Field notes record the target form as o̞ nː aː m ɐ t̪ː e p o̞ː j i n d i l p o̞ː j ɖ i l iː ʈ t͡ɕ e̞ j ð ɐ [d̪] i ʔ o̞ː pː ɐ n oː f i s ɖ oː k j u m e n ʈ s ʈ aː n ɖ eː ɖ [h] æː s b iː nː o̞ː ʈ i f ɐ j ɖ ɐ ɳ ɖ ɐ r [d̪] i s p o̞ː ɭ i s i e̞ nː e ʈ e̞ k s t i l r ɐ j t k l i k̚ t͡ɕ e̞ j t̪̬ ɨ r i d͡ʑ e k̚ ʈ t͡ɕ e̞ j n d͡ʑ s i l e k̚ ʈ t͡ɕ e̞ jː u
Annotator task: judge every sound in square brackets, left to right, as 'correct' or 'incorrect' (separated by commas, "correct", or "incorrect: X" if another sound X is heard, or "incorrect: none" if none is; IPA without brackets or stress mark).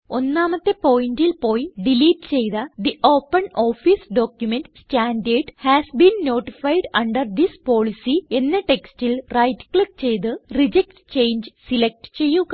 correct, correct, correct